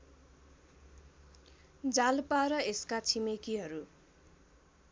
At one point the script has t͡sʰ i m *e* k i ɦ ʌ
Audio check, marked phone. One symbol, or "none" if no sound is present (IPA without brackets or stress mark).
e